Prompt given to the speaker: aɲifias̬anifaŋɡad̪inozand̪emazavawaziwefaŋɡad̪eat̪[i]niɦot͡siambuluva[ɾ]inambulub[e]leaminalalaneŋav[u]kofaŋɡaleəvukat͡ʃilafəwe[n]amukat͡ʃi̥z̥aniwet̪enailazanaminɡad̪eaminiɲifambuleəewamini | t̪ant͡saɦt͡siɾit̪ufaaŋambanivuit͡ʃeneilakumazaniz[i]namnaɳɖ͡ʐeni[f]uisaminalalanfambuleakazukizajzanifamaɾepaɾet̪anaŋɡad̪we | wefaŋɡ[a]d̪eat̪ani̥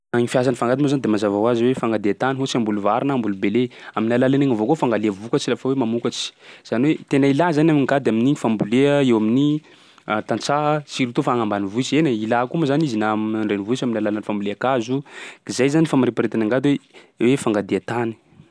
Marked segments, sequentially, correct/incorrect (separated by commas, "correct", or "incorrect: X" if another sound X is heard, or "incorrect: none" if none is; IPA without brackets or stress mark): incorrect: a, correct, correct, incorrect: o, incorrect: m, correct, incorrect: v, correct